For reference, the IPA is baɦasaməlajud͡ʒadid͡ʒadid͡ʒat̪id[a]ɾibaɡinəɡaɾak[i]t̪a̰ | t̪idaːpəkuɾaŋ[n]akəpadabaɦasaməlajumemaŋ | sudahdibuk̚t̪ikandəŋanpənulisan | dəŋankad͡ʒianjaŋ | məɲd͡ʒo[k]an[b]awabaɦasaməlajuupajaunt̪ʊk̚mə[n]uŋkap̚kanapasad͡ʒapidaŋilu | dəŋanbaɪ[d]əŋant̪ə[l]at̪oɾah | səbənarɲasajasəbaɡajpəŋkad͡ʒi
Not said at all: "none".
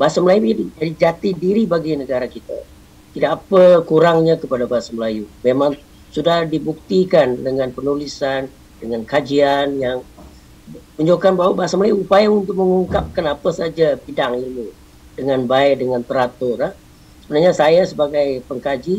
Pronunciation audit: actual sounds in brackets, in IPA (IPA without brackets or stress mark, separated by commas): i, i, ɲ, k, b, ŋ, d, ɾ